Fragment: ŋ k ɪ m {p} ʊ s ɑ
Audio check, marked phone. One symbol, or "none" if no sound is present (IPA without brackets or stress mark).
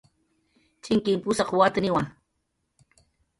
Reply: p